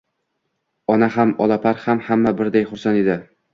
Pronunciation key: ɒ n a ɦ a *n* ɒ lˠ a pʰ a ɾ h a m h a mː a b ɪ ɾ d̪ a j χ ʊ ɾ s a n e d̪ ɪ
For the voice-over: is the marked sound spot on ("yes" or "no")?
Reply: no